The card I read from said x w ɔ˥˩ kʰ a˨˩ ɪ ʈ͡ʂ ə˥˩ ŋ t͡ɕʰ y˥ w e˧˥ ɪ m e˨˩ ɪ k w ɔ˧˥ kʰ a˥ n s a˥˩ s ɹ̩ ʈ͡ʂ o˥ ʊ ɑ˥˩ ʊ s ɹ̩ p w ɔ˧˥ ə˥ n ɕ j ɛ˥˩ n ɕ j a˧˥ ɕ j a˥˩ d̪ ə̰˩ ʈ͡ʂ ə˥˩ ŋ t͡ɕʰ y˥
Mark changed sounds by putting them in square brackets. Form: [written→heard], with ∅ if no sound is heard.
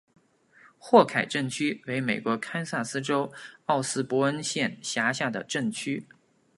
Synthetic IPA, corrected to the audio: x w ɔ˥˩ kʰ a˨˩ ɪ ʈ͡ʂ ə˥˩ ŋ t͡ɕʰ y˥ w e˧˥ ɪ m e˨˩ ɪ k w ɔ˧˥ kʰ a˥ n s a˥˩ s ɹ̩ ʈ͡ʂ o˥ ʊ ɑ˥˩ ʊ s ɹ̩ p w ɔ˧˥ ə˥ n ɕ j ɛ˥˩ n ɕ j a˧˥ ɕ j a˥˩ d̪ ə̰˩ ʈ͡ʂ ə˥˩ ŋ t͡ɕʰ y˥